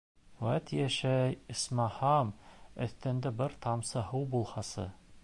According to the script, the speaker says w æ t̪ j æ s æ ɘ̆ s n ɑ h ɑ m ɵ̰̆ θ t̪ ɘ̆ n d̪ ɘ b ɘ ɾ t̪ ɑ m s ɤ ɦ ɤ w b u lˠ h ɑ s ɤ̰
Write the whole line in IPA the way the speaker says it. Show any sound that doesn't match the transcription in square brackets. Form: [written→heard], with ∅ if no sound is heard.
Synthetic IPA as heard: w æ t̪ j æ [s→ʃ] æ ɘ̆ s [n→m] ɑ h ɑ m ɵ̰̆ θ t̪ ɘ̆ n d̪ ɘ b ɘ ɾ t̪ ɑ m s ɤ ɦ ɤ w b u lˠ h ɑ s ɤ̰